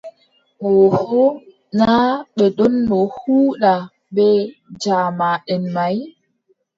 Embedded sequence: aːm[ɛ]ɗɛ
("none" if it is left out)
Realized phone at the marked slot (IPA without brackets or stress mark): a